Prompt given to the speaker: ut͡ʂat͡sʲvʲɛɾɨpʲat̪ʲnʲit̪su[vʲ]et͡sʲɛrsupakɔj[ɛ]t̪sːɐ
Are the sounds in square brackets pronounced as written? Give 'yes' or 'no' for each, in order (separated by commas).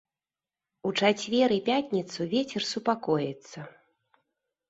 yes, yes